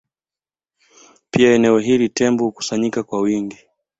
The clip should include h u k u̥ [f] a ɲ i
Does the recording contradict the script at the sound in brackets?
yes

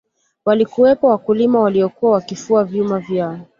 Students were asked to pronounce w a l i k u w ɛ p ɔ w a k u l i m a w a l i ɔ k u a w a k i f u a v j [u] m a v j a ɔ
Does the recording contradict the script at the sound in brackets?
no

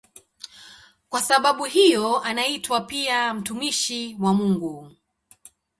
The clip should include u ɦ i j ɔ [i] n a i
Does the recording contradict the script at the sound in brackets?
yes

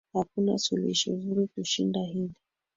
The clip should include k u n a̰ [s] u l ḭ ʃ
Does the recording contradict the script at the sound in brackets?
no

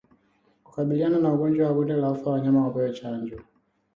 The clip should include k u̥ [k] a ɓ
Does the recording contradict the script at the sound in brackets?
no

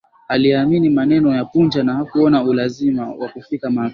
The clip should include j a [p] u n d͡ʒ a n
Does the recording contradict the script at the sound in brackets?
no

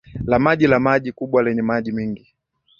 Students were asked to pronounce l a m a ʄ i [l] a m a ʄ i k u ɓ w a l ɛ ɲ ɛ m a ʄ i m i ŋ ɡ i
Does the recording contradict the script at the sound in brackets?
no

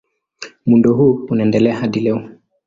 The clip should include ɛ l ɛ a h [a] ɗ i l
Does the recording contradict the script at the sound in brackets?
no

